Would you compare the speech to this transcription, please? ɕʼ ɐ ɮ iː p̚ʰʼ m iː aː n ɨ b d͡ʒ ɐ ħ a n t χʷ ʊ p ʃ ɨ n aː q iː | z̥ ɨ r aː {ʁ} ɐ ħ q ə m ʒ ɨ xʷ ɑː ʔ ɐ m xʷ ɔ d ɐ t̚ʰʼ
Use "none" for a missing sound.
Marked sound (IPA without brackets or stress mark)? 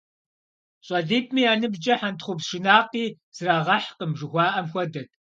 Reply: ʁ